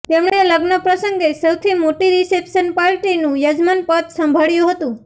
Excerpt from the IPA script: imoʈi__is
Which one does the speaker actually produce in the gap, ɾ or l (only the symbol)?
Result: ɾ